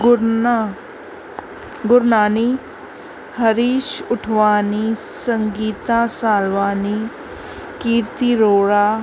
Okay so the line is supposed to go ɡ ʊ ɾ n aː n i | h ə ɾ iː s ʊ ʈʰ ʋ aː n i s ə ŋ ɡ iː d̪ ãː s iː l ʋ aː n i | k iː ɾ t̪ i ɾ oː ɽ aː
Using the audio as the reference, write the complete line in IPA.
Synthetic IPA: ɡ ʊ ɾ n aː n i | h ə ɾ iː ʃ ʊ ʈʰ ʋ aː n i s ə ŋ ɡ iː t̪ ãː s aː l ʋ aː n i | k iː ɾ t̪ i ɾ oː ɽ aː

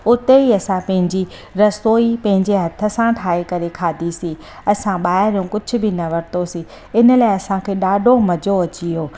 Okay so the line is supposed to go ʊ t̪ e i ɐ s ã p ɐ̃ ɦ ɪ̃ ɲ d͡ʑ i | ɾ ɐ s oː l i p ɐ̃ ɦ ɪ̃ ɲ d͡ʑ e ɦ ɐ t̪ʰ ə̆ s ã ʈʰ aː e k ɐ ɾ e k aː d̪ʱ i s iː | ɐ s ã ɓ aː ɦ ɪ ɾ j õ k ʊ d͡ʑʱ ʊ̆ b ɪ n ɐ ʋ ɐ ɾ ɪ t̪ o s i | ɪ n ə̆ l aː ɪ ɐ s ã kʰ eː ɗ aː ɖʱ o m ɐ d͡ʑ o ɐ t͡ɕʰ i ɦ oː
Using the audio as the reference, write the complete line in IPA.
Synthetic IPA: ʊ t̪ e i ɐ s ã p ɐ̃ ɦ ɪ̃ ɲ d͡ʑ i | ɾ ɐ s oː i p ɐ̃ ɦ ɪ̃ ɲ d͡ʑ e ɦ ɐ t̪ʰ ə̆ s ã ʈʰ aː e k ɐ ɾ e kʰ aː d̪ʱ i s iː | ɐ s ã ɓ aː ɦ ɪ ɾ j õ k ʊ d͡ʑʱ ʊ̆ b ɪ n ɐ ʋ ɐ ɾ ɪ t̪ o s i | ɪ n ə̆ l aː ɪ ɐ s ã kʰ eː ɗ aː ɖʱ o m ɐ d͡ʑ o ɐ t͡ɕ i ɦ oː

